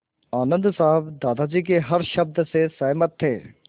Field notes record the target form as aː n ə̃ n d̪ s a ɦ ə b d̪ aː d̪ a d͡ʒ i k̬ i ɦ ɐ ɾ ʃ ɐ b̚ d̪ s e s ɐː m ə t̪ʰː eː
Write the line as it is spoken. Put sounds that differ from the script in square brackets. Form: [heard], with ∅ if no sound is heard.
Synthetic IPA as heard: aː n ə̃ n d̪ s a ɦ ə b d̪ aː d̪ a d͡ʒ i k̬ [e] ɦ ɐ ɾ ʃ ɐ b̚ d̪ s e s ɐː m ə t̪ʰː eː